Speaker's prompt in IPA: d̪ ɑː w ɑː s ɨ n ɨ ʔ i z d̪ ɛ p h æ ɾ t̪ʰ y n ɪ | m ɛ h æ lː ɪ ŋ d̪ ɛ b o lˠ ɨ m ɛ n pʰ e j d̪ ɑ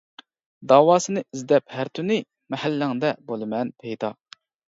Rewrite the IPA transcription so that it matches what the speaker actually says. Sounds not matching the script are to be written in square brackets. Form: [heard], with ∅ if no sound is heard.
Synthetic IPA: d̪ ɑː w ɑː s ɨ n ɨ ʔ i z d̪ ɛ p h æ ɾ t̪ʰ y n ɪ | m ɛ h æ lː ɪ ŋ d̪ ɛ b o lˠ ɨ m ɛ n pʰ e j d̪ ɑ